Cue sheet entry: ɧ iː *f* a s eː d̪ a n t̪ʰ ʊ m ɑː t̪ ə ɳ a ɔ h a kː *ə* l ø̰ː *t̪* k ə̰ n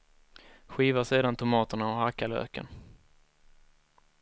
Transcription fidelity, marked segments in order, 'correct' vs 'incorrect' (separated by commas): incorrect, incorrect, incorrect